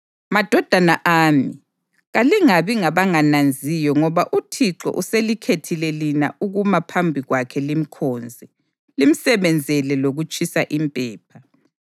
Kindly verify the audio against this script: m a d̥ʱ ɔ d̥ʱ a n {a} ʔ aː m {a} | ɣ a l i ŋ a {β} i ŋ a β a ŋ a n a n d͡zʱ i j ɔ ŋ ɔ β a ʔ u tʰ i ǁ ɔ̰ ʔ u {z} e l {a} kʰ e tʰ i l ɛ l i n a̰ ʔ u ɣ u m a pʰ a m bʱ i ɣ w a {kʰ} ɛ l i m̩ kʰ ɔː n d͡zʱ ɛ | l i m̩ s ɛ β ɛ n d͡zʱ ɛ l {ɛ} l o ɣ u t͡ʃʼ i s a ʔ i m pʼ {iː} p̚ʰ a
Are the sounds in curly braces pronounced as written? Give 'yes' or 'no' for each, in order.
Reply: yes, no, yes, no, no, yes, yes, no

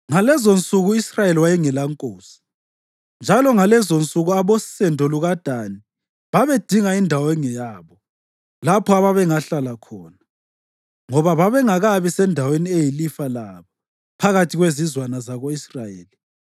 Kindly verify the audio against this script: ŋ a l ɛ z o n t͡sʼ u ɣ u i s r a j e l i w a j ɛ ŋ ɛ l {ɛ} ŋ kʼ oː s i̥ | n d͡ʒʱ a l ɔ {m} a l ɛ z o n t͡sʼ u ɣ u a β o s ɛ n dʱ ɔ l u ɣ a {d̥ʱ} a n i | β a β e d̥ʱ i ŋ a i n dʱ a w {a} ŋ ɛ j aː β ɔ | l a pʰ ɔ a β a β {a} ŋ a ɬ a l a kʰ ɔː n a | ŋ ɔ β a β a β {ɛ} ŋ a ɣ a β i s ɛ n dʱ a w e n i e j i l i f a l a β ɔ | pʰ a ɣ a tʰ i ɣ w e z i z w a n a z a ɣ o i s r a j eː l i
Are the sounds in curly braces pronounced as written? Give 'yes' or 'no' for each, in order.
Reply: no, no, yes, no, no, yes

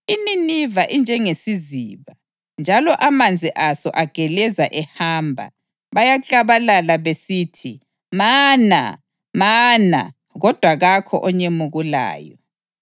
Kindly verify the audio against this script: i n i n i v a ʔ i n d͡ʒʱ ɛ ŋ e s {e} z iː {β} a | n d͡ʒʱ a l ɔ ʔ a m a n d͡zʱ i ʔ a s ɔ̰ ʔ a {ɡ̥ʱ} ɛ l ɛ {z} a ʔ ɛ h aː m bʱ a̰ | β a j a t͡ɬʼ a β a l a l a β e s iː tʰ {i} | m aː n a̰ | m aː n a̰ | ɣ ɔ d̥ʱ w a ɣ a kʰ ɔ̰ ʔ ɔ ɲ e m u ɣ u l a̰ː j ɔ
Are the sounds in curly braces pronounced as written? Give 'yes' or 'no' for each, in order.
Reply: no, yes, yes, yes, yes

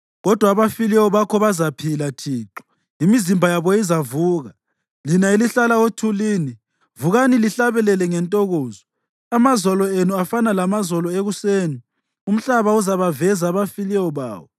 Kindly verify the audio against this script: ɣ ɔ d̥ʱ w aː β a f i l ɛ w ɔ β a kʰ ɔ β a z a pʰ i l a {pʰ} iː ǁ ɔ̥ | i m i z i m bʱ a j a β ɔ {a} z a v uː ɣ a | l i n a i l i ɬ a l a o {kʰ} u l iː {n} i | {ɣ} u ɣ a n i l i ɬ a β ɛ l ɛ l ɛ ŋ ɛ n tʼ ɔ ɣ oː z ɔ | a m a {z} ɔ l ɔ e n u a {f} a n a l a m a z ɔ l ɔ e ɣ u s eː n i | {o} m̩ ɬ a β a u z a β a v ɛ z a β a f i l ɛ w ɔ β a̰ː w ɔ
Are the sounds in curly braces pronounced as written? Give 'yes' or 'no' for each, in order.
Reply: no, no, no, yes, no, yes, yes, no

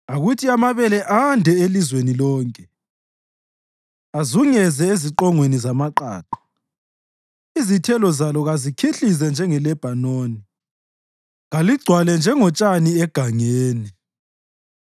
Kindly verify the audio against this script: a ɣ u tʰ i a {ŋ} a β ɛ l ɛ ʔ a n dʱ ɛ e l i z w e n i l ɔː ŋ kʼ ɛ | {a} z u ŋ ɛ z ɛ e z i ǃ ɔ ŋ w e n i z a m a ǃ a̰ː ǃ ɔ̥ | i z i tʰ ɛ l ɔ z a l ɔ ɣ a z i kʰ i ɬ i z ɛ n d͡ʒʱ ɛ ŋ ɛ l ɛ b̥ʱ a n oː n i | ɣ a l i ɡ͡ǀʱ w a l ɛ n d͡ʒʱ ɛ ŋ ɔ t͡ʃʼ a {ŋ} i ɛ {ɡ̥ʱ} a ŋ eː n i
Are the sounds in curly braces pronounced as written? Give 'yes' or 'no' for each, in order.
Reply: no, yes, no, yes

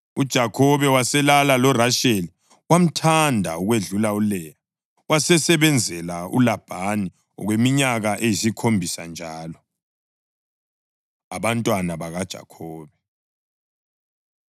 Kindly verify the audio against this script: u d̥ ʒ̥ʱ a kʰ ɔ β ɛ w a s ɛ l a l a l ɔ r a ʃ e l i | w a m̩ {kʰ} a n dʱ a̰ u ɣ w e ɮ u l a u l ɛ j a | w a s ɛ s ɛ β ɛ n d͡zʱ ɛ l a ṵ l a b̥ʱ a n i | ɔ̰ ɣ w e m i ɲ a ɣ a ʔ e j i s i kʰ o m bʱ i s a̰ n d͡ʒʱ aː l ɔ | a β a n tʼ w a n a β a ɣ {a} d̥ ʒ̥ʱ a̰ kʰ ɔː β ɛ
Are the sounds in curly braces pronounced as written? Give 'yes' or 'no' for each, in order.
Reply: no, yes

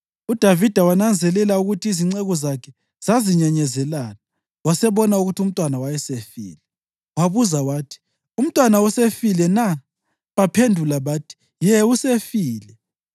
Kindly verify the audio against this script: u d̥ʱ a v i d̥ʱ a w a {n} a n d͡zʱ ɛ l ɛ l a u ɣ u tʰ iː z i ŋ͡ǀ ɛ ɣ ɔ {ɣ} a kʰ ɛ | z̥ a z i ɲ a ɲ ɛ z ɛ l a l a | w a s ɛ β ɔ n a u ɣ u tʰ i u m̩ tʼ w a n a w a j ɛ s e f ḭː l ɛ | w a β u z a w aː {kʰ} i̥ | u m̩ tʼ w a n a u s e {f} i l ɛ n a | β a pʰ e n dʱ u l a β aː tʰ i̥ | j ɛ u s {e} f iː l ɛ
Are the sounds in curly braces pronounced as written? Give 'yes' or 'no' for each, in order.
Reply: yes, no, no, yes, yes

